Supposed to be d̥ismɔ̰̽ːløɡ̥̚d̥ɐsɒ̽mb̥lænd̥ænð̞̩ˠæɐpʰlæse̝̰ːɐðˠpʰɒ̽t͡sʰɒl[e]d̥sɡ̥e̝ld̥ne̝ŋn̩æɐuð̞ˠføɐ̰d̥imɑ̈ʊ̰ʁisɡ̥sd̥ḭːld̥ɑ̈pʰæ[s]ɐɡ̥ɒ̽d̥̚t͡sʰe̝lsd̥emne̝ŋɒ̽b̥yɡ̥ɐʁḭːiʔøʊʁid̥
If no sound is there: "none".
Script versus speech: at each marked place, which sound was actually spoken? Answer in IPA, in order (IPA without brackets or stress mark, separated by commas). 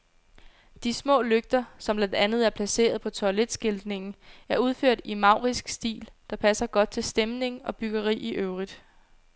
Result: e, s